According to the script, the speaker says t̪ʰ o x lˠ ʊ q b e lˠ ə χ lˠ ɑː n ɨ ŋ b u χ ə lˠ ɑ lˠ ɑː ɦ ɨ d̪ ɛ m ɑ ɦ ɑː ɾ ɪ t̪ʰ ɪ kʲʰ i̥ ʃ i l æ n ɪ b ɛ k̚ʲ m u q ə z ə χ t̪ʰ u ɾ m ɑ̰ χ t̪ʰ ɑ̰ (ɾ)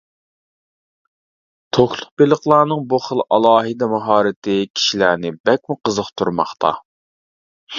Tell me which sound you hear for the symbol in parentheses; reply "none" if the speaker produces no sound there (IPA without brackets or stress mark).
none